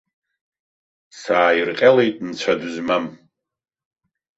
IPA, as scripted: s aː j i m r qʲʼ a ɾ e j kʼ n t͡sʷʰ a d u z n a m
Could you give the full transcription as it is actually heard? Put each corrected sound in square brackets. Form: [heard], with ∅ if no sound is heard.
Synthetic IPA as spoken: s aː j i [∅] r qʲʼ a [l] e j [tʼ] n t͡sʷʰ a d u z [m] a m